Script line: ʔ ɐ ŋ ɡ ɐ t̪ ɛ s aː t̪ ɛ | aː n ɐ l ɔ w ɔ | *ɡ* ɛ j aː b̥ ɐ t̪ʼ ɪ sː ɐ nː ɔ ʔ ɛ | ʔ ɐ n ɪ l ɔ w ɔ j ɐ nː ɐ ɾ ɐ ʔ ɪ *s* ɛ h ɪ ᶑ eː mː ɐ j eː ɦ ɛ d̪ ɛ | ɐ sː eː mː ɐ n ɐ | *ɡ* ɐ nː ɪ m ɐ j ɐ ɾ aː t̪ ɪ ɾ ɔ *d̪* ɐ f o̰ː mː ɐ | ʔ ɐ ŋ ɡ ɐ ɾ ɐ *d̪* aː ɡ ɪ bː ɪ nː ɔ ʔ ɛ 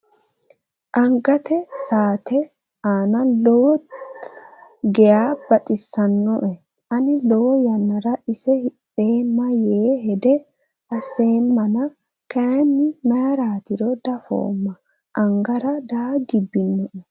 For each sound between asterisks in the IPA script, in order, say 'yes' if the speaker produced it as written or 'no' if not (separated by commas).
yes, yes, no, yes, yes